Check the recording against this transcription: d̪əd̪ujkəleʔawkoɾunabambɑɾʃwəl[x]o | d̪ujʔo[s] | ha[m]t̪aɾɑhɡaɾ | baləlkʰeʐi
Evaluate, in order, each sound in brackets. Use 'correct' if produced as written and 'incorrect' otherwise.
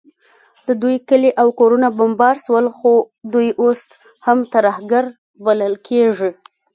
correct, correct, correct

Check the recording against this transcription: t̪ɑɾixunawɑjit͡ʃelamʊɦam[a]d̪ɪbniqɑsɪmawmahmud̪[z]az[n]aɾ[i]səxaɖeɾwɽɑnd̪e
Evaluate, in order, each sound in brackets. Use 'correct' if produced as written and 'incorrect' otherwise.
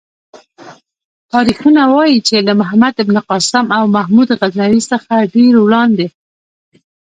correct, incorrect: ɣ, correct, correct

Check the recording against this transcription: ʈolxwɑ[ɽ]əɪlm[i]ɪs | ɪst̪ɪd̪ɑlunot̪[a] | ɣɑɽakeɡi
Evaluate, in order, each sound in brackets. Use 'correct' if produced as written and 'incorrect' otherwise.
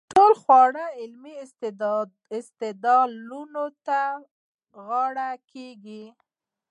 correct, correct, correct

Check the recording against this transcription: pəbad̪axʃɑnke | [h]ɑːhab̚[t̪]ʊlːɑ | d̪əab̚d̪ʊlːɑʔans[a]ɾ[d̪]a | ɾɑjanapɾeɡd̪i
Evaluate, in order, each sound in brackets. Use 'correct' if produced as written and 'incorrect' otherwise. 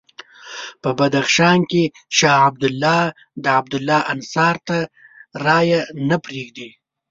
incorrect: ʃ, incorrect: d̪, incorrect: ɑ, incorrect: t̪

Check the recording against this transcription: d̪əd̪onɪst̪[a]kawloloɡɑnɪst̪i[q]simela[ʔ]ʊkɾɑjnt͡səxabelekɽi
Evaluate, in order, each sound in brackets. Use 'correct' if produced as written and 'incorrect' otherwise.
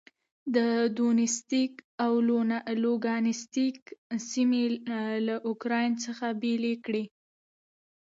incorrect: i, incorrect: k, correct

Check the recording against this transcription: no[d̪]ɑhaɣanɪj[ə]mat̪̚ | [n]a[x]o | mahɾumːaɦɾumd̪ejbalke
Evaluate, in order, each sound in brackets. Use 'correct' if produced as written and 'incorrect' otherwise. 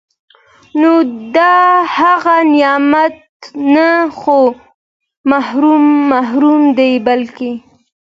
correct, incorrect: ɑ, correct, correct

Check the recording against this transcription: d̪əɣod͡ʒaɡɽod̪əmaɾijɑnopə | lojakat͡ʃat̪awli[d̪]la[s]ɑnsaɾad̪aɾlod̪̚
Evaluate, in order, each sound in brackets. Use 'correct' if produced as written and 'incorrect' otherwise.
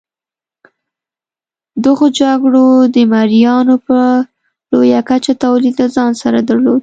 correct, incorrect: z

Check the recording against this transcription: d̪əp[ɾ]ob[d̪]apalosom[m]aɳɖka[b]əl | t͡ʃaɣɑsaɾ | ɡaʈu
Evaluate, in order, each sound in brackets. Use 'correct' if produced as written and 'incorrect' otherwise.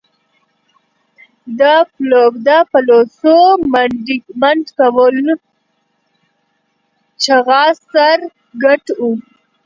incorrect: l, correct, correct, incorrect: w

